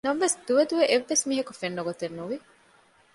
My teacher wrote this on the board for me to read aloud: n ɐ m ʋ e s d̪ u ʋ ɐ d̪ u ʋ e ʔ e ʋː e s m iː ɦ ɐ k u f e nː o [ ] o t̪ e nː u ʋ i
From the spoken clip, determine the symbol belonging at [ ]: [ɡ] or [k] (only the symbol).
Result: ɡ